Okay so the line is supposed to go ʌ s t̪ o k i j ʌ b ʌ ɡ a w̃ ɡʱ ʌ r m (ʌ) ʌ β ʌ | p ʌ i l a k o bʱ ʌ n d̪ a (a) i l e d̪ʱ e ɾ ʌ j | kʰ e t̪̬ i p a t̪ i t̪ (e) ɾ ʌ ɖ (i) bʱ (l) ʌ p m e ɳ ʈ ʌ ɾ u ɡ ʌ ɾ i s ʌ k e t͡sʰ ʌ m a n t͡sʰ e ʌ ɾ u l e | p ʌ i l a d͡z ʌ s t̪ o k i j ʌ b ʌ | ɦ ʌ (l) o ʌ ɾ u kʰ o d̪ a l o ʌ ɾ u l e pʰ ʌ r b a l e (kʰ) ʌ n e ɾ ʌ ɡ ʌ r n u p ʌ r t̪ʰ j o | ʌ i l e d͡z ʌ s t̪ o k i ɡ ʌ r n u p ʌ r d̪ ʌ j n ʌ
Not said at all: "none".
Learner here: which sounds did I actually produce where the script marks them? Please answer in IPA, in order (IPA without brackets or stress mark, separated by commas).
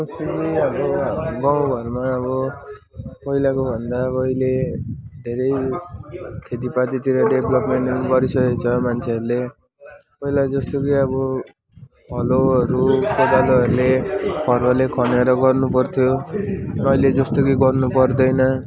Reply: a, ʌ, i, e, l, l, kʰ